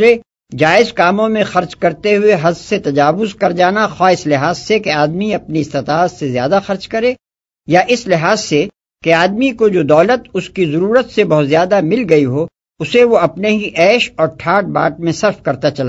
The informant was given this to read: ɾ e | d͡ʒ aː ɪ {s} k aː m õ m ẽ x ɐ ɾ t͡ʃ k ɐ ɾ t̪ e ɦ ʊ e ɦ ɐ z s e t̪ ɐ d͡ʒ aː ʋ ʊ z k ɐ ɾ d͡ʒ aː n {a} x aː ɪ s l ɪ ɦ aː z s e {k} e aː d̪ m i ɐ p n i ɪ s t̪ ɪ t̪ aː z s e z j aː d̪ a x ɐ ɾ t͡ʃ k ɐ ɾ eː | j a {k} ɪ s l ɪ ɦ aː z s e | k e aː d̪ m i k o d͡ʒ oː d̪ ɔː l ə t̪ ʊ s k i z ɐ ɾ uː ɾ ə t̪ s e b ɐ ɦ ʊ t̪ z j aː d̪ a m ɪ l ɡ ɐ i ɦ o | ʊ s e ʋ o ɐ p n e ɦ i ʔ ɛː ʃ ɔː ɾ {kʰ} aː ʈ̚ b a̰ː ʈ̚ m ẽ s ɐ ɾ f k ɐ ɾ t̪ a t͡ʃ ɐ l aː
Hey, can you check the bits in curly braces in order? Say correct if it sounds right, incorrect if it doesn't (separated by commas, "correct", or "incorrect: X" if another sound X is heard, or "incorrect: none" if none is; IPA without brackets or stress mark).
incorrect: z, correct, correct, incorrect: ʔ, incorrect: ʈʰ